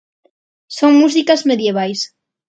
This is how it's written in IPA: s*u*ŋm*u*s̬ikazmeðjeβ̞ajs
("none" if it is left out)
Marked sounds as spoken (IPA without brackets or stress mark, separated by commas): o, u